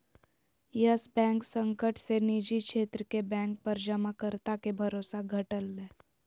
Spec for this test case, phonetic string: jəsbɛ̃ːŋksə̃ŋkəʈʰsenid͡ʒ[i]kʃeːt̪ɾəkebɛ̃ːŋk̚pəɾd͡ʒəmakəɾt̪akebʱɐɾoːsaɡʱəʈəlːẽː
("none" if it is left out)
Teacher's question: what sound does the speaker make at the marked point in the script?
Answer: i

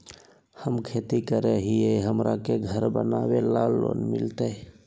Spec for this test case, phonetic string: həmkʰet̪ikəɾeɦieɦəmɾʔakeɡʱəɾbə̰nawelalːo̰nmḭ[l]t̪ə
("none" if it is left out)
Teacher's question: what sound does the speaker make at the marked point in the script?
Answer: l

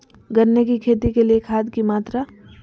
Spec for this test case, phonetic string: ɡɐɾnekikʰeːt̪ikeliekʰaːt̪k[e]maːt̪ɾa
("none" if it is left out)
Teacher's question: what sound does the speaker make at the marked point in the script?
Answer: i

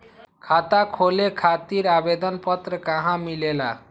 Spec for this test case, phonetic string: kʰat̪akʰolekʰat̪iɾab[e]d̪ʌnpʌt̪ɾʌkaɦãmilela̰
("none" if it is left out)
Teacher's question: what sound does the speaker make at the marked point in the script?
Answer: e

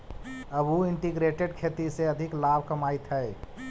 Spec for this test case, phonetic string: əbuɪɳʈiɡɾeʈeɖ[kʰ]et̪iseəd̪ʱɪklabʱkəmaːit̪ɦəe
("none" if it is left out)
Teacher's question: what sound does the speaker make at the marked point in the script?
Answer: kʰ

